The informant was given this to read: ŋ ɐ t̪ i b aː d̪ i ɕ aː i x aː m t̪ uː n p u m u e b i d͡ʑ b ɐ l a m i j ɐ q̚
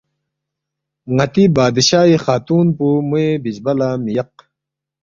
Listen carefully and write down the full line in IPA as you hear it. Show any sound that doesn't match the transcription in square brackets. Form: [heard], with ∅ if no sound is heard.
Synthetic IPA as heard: ŋ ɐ t̪ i b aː d̪ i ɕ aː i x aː [∅] t̪ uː n p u m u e b i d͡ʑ b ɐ l a m i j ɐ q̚